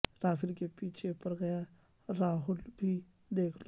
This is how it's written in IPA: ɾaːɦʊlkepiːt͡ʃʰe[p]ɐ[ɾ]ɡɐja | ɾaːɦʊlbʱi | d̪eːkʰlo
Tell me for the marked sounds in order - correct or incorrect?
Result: correct, correct

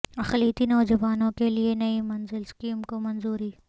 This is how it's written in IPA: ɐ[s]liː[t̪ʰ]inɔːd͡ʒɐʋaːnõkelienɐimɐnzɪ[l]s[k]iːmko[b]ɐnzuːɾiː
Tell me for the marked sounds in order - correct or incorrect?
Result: incorrect, incorrect, correct, correct, incorrect

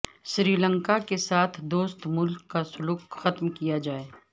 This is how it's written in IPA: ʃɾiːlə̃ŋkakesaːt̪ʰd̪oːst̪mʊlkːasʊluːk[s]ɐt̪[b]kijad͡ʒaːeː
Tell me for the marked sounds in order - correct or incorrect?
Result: incorrect, incorrect

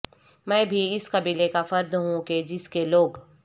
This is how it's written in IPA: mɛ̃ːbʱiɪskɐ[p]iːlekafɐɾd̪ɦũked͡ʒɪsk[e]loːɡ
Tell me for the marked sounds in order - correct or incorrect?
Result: incorrect, correct

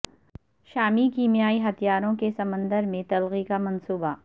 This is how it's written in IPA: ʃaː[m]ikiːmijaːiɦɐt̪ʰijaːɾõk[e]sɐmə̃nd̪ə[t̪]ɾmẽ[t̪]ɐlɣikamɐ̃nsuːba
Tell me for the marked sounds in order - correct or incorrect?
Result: correct, correct, incorrect, correct

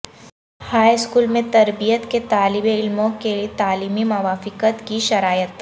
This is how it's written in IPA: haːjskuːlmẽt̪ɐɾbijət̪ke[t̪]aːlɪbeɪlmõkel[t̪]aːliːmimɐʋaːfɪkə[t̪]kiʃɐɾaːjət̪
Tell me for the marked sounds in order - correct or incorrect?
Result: correct, correct, correct

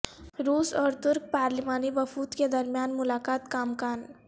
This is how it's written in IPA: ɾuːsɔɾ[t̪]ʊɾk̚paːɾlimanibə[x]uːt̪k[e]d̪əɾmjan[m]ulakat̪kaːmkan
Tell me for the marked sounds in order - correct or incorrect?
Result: correct, incorrect, correct, correct

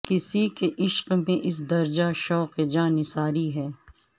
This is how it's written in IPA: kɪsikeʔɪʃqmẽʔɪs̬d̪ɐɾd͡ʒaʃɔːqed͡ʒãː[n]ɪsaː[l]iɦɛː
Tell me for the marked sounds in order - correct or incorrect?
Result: correct, incorrect

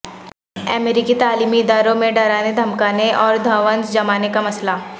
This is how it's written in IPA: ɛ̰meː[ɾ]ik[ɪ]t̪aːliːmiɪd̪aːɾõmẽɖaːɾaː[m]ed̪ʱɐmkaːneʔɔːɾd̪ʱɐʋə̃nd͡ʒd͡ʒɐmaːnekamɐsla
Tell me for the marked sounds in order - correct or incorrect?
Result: correct, incorrect, incorrect

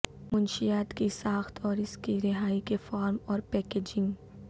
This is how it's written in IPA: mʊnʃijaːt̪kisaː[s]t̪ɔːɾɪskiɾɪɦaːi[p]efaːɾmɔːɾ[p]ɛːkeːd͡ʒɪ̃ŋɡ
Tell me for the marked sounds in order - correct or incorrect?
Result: incorrect, incorrect, correct

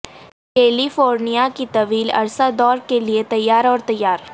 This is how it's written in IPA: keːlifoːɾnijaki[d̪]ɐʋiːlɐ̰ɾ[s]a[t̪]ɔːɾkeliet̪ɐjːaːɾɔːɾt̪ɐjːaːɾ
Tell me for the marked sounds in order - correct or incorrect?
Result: incorrect, correct, incorrect

